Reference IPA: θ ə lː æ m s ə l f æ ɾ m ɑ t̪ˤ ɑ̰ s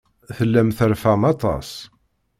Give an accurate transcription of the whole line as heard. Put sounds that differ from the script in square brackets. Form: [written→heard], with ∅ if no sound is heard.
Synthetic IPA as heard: θ ə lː æ m [s→θ] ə [l→ɾ] f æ [ɾ→∅] m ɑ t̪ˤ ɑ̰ s